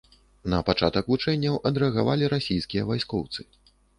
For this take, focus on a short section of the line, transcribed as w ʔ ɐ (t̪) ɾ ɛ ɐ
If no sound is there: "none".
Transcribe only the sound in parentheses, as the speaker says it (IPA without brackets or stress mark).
d̪